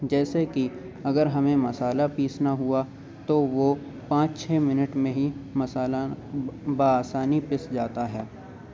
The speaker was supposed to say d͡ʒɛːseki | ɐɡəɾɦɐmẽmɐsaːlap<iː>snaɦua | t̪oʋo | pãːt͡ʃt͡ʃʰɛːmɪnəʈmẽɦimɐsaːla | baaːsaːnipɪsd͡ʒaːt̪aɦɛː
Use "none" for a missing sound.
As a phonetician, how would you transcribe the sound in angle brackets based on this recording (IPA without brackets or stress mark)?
iː